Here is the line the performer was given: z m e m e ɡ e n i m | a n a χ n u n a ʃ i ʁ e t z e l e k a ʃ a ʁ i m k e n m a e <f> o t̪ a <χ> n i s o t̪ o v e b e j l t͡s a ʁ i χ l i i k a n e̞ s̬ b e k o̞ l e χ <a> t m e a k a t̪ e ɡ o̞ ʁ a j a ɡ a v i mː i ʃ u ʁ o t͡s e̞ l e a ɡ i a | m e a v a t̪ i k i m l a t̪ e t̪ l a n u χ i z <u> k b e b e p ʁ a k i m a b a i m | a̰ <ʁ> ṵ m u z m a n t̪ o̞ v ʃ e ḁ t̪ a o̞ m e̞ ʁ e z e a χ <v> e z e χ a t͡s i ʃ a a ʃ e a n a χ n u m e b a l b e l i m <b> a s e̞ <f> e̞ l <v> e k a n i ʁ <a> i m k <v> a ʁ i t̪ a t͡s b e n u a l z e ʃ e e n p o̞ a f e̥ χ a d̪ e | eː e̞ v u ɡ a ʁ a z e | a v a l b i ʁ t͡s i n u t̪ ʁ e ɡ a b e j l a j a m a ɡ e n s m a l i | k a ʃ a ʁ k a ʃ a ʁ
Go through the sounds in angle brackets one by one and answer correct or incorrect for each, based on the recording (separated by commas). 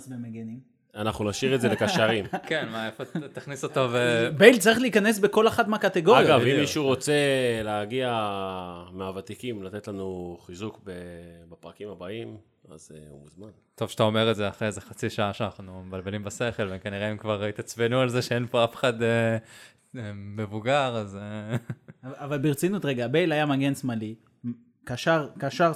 correct, correct, correct, correct, incorrect, incorrect, correct, incorrect, correct, incorrect, correct